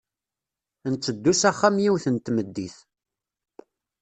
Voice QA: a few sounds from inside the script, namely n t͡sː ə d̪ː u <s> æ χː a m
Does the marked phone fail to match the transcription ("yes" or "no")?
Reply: no